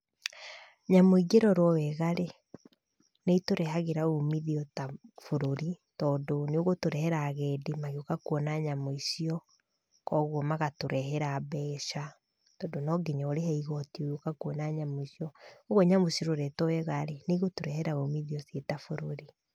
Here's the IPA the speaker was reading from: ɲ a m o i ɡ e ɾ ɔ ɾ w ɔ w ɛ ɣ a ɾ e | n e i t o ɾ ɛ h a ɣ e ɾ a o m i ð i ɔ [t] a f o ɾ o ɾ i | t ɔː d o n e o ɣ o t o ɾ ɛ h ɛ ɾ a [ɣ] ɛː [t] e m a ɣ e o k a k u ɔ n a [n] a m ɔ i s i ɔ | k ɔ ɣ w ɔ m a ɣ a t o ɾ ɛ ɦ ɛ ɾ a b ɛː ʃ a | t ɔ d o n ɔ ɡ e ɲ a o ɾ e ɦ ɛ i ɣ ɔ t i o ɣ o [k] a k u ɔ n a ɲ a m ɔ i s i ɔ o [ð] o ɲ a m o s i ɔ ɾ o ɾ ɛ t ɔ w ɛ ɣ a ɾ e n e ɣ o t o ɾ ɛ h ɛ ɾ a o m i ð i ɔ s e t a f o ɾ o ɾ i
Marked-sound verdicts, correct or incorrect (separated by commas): correct, correct, incorrect, incorrect, correct, incorrect